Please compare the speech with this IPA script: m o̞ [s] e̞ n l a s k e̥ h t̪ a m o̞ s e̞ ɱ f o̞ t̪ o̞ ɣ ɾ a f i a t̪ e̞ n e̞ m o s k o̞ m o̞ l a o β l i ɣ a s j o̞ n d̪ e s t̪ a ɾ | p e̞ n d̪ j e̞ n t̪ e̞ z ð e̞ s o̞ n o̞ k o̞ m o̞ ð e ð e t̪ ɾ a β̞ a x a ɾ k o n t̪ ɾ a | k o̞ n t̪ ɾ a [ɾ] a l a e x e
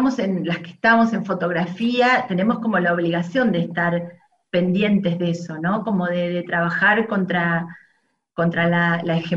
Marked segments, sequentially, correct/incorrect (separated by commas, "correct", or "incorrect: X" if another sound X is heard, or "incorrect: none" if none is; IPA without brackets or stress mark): correct, incorrect: l